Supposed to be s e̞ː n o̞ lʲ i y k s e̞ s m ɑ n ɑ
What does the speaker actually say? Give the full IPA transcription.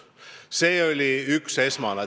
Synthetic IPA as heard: s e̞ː o̞ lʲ i y k s e̞ s m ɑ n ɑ